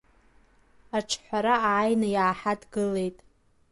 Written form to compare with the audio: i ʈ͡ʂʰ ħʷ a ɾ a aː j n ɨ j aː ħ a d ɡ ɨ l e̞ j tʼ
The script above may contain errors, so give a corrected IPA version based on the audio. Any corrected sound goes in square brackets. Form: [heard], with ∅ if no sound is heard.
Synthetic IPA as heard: [a] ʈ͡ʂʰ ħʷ a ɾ a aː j n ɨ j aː ħ a d ɡ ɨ l e̞ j tʼ